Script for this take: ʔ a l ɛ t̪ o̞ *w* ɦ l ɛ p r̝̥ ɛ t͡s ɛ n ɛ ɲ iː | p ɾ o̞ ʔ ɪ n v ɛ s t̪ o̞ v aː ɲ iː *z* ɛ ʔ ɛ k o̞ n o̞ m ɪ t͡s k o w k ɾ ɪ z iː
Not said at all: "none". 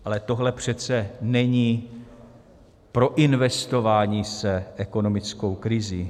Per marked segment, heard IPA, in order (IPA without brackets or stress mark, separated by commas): none, s